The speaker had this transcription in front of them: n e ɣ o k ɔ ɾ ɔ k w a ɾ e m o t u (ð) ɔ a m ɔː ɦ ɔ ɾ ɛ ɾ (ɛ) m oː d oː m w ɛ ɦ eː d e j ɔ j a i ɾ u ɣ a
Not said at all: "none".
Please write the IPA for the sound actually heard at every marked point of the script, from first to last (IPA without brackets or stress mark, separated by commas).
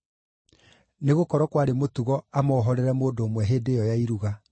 ɣ, ɛ